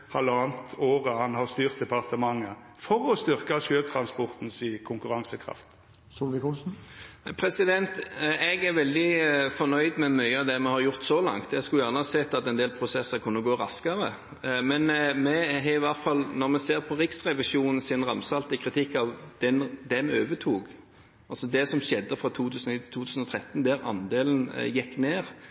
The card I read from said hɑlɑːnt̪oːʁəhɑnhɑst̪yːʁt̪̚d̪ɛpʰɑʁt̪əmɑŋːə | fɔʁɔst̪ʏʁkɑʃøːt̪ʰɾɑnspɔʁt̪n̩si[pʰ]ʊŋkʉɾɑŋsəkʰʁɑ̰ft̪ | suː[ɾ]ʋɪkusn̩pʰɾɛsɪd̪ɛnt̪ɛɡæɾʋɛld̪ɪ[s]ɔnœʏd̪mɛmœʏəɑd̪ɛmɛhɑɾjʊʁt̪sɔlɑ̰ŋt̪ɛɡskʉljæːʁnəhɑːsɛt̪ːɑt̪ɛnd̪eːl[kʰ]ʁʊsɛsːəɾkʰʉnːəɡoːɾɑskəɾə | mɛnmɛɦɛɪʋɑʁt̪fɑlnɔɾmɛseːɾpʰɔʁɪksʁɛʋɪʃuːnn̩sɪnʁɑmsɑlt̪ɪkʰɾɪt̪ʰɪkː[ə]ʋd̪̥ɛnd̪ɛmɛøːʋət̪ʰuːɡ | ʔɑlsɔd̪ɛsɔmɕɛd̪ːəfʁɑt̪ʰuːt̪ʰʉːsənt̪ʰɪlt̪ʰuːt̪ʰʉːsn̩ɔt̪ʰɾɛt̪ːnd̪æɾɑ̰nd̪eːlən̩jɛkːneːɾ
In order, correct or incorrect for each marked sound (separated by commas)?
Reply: incorrect, incorrect, incorrect, incorrect, incorrect